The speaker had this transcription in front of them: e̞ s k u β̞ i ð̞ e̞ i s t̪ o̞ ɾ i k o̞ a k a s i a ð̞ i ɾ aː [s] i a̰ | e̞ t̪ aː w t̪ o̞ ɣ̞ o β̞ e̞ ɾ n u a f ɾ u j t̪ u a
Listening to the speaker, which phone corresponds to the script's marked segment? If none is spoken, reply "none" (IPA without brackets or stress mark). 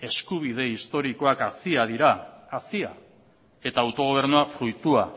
s